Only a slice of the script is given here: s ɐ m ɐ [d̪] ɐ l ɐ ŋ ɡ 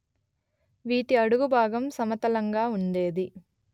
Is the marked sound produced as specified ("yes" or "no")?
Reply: no